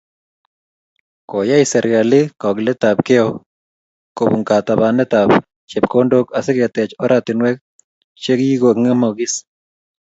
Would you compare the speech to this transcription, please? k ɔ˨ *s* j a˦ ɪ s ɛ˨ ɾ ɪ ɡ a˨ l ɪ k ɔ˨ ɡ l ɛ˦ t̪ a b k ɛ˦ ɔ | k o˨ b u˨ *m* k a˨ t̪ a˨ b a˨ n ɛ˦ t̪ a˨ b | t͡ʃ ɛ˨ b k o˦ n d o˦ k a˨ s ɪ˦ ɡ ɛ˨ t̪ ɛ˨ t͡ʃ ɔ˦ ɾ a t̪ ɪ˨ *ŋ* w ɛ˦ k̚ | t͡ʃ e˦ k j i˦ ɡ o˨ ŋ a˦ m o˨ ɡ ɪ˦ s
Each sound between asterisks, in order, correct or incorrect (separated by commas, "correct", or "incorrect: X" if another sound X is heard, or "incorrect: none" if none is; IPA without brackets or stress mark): incorrect: none, incorrect: ŋ, incorrect: n